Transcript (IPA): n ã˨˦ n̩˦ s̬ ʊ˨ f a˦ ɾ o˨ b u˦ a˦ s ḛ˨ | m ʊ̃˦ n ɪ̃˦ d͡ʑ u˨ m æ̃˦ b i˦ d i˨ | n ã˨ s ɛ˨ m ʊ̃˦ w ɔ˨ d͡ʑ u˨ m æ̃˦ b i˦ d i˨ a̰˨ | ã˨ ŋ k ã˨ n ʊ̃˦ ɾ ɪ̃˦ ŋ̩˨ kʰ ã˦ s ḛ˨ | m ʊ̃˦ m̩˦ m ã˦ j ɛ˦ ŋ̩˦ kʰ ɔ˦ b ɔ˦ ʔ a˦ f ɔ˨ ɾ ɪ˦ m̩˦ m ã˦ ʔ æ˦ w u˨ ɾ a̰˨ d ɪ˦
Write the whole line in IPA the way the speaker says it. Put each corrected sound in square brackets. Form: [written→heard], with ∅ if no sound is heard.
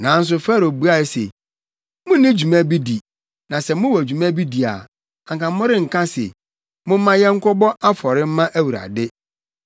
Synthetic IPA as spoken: n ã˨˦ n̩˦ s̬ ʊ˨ f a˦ ɾ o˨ b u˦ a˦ s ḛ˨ | m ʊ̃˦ n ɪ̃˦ d͡ʑ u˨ m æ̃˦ b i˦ d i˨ | n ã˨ s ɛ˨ m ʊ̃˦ w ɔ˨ d͡ʑ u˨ m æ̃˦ b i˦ d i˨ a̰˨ | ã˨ ŋ k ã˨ [n→m] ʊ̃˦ ɾ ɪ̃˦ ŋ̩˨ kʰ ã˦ s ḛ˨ | m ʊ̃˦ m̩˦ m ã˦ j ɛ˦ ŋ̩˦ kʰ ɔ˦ b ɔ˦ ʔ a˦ f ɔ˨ ɾ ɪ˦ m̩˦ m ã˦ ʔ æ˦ w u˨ ɾ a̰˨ d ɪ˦

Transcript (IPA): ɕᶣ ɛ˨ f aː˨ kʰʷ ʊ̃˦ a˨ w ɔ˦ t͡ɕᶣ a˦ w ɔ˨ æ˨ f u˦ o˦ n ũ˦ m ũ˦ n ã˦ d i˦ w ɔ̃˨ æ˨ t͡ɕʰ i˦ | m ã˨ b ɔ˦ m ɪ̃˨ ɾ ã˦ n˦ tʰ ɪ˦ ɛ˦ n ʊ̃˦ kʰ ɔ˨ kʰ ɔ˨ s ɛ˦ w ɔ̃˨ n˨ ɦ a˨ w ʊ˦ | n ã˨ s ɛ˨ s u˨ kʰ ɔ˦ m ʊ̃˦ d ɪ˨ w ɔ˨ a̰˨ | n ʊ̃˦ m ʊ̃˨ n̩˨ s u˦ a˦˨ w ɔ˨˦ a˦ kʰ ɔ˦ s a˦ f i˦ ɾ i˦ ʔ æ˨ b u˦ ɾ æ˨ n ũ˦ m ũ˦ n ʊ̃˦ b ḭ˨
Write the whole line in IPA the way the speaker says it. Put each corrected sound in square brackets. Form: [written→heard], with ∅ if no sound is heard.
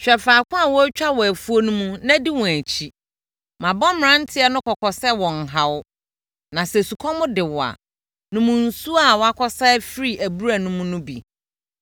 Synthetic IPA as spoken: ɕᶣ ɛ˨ f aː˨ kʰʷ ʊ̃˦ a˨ w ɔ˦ t͡ɕᶣ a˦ w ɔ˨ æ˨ f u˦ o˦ n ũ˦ m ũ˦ n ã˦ d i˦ w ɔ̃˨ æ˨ t͡ɕʰ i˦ | m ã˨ b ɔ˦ m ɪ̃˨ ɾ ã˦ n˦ tʰ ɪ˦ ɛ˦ n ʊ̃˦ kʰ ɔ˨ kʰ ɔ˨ s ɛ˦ w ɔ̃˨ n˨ ɦ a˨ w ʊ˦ | n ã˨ s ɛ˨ s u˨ kʰ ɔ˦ m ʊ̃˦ d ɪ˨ w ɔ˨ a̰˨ | n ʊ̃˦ m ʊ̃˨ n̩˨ s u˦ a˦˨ w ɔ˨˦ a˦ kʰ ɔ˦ s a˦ f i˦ ɾ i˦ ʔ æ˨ b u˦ ɾ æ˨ n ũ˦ m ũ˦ n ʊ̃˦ b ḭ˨

